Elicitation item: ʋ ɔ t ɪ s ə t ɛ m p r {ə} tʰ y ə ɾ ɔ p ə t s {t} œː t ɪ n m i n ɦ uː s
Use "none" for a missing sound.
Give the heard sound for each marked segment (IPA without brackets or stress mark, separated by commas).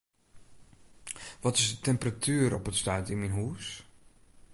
a, t